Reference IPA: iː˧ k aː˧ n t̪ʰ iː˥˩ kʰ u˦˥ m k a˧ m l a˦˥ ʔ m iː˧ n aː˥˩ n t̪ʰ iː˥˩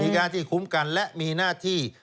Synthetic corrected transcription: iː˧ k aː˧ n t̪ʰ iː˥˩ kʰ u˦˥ m k a˧ n l ɛ˦˥ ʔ m iː˧ n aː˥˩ t̪ʰ iː˥˩

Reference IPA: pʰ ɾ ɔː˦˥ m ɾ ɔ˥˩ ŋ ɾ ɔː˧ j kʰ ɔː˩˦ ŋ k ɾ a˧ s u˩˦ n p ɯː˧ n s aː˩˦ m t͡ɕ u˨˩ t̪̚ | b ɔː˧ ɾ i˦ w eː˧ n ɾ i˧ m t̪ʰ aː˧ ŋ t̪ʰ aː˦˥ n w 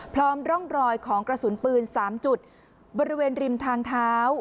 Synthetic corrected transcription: pʰ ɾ ɔː˦˥ m ɾ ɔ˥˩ ŋ ɾ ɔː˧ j kʰ ɔː˩˦ ŋ k ɾ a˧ s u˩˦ n p ɯː˧ n s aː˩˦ m t͡ɕ u˨˩ t̪̚ | b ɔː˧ ɾ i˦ w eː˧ n ɾ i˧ m t̪ʰ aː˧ ŋ t̪ʰ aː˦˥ w

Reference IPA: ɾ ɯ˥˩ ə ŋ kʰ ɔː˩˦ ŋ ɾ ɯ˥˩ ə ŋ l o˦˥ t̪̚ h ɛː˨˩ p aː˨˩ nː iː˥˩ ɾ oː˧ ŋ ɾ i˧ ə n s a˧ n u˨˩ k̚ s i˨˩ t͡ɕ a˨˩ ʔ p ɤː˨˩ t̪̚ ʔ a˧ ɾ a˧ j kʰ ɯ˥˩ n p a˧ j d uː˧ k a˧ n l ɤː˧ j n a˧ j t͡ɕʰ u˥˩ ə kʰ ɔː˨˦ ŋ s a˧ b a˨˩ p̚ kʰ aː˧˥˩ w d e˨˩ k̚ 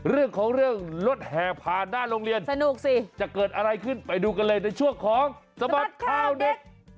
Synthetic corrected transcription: ɾ ɯ˥˩ ə ŋ kʰ ɔː˩˦ ŋ ɾ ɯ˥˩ ə ŋ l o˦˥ t̪̚ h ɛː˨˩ pʰ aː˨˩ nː aː˥˩ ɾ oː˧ ŋ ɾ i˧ ə n s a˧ n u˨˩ k̚ s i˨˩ t͡ɕ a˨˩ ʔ k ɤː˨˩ t̪̚ ʔ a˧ ɾ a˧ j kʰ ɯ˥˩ n p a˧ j d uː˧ k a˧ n l ɤː˧ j n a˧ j t͡ɕʰ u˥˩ ə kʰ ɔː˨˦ ŋ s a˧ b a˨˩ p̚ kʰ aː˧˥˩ w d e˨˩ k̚

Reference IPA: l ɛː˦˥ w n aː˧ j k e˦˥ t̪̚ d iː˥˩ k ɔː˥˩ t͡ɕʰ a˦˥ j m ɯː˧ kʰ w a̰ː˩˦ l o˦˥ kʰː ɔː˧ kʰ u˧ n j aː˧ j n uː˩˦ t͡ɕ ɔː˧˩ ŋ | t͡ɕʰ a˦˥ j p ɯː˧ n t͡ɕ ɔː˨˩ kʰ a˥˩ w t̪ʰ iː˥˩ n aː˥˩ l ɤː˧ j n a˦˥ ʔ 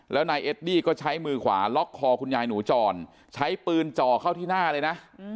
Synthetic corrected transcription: l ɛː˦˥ w n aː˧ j ʔ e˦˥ t̪̚ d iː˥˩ k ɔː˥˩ t͡ɕʰ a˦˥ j m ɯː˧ kʰ w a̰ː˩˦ l ɔ˦˥ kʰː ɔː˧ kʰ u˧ n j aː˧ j n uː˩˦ t͡ɕ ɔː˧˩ n | t͡ɕʰ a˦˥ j p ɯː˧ n t͡ɕ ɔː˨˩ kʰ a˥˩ w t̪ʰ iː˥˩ n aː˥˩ l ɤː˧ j n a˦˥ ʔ

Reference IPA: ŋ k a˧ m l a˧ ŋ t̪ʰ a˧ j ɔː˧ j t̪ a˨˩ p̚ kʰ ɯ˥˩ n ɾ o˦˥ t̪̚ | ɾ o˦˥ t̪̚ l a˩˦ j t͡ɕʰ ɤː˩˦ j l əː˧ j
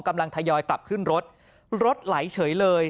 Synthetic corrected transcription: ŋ k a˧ m l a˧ ŋ t̪ʰ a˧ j ɔː˧ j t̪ a˨˩ p̚ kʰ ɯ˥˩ n ɾ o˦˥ t̪̚ | ɾ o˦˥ t̪̚ l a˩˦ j t͡ɕʰ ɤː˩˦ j l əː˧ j

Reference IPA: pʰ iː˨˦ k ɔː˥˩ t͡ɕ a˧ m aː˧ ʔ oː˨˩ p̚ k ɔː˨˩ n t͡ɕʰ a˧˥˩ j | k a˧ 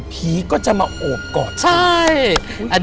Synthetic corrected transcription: pʰ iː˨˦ k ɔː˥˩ t͡ɕ a˨˩ m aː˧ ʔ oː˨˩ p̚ k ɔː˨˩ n t͡ɕʰ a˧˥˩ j | ʔ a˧

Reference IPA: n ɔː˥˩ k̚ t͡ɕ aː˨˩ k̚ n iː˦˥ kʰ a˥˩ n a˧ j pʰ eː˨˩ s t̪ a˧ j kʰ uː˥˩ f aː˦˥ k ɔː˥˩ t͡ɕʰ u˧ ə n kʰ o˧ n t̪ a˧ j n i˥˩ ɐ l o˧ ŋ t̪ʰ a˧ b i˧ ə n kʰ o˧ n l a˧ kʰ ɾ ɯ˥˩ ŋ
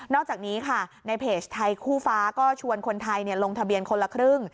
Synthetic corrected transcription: n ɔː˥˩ k̚ t͡ɕ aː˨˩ k̚ n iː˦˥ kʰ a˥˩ n a˧ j pʰ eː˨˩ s t̪ʰ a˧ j kʰ uː˥˩ f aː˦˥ k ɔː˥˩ t͡ɕʰ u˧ ə n kʰ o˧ n t̪ʰ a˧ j n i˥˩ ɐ l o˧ ŋ t̪ʰ a˧ b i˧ ə n kʰ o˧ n l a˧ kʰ ɾ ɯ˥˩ ŋ

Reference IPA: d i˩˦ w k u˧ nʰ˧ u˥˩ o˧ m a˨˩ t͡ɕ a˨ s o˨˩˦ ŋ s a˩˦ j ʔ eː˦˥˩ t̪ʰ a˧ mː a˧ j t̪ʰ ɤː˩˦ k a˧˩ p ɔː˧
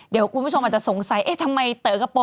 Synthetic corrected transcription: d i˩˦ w k u˧ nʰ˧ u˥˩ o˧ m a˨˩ t͡ɕ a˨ s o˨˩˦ ŋ s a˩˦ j ʔ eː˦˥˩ t̪ʰ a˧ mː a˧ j t̪ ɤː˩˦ k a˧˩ p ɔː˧

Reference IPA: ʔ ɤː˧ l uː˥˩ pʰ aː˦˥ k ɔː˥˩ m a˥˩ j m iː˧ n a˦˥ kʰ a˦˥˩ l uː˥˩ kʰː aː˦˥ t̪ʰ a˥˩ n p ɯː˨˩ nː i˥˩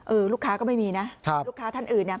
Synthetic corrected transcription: ʔ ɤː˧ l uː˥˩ kʰ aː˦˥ k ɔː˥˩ m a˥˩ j m iː˧ n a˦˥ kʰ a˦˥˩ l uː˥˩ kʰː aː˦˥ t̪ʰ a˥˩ n ʔ ɯː˨˩ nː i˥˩

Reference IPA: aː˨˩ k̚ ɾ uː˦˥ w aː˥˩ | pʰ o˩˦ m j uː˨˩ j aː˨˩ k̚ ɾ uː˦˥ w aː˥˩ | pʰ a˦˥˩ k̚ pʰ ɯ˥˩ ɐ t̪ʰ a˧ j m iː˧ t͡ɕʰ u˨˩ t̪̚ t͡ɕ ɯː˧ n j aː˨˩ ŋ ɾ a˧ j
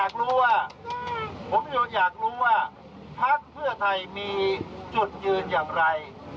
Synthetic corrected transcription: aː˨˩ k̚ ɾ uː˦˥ w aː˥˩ | pʰ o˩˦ m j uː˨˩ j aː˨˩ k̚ ɾ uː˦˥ w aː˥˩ | pʰ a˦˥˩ k̚ pʰ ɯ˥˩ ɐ t̪ʰ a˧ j m iː˧ t͡ɕ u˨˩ t̪̚ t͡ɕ ɯː˧ n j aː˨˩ ŋ ɾ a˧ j

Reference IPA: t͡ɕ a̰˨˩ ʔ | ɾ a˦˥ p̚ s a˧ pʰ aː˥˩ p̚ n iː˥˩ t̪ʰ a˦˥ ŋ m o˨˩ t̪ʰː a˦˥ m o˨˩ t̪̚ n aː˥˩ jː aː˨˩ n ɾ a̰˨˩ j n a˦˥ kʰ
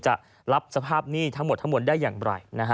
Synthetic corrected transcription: t͡ɕ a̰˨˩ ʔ | ɾ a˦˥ p̚ s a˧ pʰ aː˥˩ p̚ n iː˥˩ t̪ʰ a˦˥ ŋ m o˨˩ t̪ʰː a˦˥ m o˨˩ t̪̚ d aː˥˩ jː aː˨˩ ŋ ɾ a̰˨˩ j n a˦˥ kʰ

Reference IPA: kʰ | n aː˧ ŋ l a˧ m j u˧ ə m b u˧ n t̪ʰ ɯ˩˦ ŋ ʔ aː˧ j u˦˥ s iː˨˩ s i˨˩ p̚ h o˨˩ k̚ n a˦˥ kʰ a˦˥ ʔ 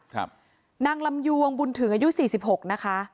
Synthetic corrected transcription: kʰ | n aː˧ ŋ l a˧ m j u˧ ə ŋ b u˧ n t̪ʰ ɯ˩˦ ŋ ʔ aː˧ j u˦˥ s iː˨˩ s i˨˩ p̚ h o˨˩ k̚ n a˦˥ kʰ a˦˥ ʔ

